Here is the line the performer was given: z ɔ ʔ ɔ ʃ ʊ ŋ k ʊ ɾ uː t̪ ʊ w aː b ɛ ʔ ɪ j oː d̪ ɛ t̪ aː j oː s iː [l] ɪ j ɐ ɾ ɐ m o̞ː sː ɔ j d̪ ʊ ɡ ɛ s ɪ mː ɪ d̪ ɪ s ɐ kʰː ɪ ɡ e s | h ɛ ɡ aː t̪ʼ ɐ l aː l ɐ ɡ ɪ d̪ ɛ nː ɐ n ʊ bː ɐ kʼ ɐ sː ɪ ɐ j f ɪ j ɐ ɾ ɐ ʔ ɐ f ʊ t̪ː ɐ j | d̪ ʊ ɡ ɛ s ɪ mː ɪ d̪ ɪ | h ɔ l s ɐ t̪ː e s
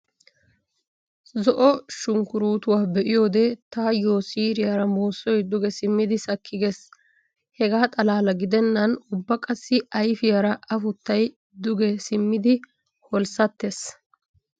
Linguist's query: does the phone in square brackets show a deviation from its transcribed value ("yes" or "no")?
yes